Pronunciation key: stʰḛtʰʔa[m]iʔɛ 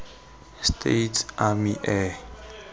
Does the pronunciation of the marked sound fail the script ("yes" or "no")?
no